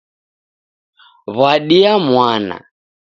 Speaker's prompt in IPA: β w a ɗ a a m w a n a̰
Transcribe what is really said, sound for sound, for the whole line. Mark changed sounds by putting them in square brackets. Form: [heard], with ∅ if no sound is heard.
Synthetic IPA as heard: β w a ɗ [i] a m w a n a̰